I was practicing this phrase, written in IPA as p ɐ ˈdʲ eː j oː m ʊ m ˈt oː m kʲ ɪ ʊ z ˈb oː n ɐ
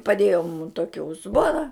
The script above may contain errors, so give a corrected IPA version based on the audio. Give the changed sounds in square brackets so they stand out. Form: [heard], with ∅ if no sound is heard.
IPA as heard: p ɐ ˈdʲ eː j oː m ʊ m ˈt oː [∅] kʲ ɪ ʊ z ˈb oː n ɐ